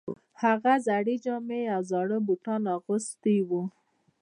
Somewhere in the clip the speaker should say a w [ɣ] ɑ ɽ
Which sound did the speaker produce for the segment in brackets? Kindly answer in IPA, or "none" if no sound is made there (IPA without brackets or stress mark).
z